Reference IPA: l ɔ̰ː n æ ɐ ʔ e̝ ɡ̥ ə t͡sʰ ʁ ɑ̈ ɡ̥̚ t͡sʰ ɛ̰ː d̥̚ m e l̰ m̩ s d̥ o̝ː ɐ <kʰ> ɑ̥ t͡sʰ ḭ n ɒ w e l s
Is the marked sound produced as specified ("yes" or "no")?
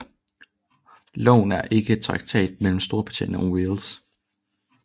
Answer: no